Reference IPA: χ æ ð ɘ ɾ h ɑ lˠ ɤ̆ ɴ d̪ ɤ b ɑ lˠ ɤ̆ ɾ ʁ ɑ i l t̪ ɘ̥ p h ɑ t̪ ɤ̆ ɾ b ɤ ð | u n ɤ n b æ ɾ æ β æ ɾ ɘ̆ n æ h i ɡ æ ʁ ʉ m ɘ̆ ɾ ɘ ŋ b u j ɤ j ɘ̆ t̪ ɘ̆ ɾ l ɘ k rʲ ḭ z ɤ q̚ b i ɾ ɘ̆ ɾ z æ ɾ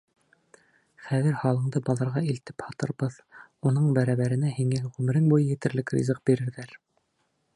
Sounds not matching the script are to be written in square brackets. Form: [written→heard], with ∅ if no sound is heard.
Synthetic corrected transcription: χ æ ð ɘ ɾ h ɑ lˠ ɤ̆ ɴ d̪ ɤ b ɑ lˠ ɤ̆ ɾ ʁ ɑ i l t̪ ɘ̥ p h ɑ t̪ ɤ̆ ɾ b ɤ ð | u n ɤ [n→ɴ] b æ ɾ æ β æ ɾ ɘ̆ n æ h i [ɡ→ŋ] æ ʁ ʉ m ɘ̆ ɾ ɘ ŋ b u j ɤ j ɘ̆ t̪ ɘ̆ ɾ l ɘ k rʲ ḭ z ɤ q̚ b i ɾ ɘ̆ ɾ [z→ð] æ ɾ